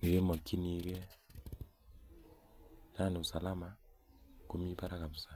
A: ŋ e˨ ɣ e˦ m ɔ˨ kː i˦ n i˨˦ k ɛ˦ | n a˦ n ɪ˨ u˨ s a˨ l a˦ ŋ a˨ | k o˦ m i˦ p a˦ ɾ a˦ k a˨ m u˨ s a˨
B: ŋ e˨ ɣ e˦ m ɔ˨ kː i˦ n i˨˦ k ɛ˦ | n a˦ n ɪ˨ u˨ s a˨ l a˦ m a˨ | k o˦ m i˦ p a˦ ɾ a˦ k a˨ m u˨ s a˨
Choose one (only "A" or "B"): B